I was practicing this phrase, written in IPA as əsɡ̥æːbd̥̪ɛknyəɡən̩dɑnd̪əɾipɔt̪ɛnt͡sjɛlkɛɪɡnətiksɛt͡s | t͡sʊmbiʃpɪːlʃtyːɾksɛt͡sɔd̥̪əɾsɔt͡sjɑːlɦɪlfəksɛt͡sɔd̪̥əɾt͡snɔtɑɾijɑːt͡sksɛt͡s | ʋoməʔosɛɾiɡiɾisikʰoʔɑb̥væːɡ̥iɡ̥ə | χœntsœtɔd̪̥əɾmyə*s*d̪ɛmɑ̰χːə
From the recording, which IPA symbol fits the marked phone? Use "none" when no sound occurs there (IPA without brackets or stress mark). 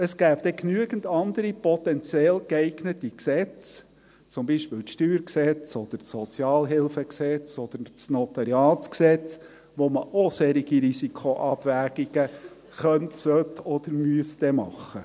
s